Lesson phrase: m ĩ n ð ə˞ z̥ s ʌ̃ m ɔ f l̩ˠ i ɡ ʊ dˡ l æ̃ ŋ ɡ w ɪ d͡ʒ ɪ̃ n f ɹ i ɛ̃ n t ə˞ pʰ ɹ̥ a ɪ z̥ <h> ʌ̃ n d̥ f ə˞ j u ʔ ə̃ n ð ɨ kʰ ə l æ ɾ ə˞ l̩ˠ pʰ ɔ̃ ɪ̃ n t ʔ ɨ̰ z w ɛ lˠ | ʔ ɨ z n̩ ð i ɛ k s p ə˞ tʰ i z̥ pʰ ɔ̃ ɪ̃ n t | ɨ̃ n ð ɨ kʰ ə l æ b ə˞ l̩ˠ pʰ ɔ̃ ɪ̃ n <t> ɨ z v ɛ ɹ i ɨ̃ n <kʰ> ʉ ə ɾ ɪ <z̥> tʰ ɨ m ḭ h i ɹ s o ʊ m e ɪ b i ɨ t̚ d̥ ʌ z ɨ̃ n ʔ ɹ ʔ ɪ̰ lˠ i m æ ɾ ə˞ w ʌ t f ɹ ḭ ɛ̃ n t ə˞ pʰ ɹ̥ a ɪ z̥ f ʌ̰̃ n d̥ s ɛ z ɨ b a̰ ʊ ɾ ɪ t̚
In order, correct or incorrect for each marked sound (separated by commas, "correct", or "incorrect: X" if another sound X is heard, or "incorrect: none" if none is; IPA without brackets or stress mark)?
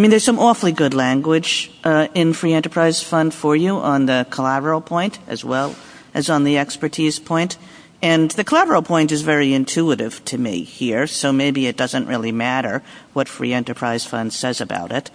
incorrect: f, correct, incorrect: tʰ, incorrect: v̥